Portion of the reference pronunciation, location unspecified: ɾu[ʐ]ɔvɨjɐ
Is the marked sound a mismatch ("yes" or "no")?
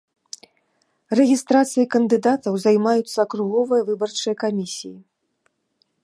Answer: yes